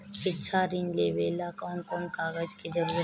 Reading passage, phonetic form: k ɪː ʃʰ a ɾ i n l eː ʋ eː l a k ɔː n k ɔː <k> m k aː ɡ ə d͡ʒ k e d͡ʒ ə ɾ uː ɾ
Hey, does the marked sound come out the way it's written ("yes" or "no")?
no